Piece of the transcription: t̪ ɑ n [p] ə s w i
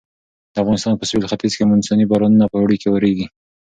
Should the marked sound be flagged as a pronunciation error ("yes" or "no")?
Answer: no